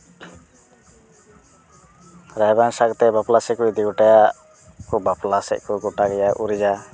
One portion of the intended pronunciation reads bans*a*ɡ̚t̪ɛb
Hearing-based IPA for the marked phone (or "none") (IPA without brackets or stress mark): a